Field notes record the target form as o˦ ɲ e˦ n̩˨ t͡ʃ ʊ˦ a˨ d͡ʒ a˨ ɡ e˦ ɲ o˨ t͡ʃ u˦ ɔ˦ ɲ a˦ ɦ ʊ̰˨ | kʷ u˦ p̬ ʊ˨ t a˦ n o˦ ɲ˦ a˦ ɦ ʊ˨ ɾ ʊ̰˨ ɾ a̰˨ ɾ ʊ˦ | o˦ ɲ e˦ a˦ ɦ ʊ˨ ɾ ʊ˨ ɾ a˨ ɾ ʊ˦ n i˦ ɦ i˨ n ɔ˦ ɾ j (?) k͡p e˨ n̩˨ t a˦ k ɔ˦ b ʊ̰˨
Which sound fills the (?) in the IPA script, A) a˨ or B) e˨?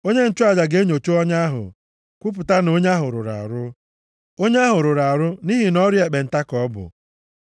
B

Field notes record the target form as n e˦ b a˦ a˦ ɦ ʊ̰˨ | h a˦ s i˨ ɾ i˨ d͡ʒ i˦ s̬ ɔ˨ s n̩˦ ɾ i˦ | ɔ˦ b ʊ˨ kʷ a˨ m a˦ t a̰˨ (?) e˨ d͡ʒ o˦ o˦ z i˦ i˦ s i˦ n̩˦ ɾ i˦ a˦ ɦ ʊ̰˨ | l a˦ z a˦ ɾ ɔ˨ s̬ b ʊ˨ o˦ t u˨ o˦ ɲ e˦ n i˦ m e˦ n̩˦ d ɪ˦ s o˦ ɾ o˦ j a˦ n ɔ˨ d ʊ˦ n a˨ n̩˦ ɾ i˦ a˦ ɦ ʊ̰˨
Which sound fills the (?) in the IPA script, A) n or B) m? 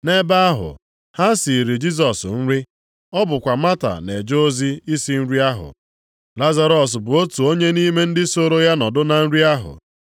A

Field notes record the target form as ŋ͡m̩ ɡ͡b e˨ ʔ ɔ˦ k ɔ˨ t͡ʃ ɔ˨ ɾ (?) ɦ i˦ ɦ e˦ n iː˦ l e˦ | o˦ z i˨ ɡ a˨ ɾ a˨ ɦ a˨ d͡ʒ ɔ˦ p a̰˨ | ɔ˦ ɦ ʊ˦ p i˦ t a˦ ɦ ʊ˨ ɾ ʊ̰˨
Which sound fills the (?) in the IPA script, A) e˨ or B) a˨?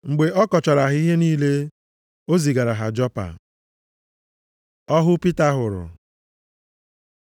B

